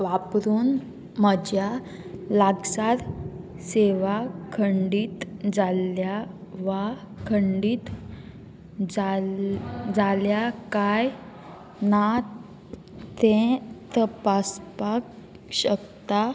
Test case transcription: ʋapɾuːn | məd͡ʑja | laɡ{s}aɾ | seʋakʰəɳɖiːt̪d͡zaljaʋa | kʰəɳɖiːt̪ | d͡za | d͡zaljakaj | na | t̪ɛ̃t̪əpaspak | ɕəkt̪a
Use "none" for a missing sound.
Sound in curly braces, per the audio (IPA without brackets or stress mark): s